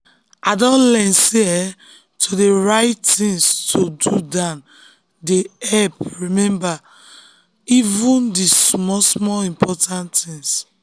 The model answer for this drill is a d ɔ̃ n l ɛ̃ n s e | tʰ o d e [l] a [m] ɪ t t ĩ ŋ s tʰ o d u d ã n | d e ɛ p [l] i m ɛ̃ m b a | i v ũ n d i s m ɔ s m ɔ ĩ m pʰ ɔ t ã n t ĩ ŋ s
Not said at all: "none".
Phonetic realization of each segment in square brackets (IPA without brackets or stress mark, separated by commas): ɹ, none, ɹ